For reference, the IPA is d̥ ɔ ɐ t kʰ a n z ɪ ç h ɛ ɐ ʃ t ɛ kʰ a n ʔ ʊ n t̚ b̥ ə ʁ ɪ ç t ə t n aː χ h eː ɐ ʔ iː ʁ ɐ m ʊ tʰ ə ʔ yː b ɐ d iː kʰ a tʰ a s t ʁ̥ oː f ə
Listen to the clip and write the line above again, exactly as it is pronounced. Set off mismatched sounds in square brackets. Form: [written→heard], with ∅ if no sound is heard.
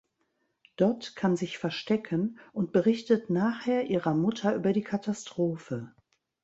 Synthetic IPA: d̥ ɔ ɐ t kʰ a n z ɪ ç [h→f] ɛ ɐ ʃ t ɛ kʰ [a→ə] n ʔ ʊ n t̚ b̥ ə ʁ ɪ ç t ə t n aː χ h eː ɐ ʔ iː ʁ ɐ m ʊ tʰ [ə→ɐ] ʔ yː b ɐ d iː kʰ a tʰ a s t ʁ̥ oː f ə